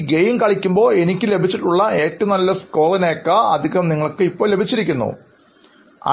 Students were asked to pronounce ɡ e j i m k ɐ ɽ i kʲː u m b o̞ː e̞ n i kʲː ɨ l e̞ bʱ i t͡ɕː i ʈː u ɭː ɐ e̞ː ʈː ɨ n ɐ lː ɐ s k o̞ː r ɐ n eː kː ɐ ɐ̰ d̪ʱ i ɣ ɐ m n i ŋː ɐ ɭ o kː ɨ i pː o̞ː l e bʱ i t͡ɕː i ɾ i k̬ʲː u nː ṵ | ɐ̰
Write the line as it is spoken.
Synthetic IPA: ɡ e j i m k ɐ ɭ i kʲː u m b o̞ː e̞ n i kʲː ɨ l e̞ bʱ i t͡ɕː i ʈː u ɭː ɐ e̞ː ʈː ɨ n ɐ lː ɐ s k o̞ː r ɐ n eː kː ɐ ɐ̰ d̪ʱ i ɣ ɐ m n i ŋː ɐ ɭ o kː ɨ i pː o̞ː l e bʱ i t͡ɕː i ɾ i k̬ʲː u nː ṵ | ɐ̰